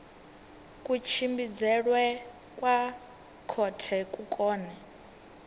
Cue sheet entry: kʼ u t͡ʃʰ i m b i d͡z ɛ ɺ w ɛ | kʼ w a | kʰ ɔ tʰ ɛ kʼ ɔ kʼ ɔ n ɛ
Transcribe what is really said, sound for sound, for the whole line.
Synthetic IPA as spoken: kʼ u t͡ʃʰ i m b i d͡z ɛ ɺ w ɛ | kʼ w a | kʰ ɔ tʰ ɛ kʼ u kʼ ɔː n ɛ